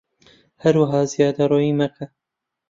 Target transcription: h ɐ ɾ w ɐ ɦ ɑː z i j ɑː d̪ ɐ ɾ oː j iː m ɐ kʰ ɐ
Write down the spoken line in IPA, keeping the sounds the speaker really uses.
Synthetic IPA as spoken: h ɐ ɾ w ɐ ɦ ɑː z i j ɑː d̪ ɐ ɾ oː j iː m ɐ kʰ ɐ